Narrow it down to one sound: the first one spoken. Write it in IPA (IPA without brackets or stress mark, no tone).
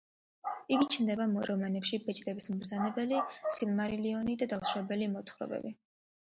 i